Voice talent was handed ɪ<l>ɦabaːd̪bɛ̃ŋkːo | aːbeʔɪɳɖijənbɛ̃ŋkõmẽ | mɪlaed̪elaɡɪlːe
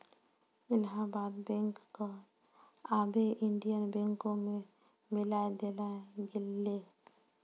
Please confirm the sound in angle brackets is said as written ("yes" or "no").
yes